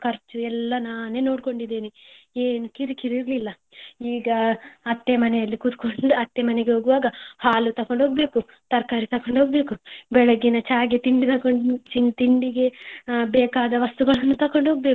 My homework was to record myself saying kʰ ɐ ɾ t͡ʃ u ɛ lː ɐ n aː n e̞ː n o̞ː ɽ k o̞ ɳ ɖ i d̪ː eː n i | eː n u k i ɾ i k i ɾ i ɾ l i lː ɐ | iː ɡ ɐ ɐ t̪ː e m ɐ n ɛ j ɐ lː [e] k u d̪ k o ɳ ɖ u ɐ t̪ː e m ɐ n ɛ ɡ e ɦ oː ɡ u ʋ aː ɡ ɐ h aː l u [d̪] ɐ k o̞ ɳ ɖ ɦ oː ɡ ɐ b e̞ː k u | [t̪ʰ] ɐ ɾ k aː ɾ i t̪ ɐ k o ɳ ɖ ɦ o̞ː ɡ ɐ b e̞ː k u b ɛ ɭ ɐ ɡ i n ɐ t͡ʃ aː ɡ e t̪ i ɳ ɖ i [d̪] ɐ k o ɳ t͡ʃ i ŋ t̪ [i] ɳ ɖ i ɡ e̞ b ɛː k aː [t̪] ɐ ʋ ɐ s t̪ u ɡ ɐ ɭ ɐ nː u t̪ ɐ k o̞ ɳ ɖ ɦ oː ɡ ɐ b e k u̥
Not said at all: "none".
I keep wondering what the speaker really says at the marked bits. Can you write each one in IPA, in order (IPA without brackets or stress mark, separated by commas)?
i, t̪, t̪, t̪, i, d̪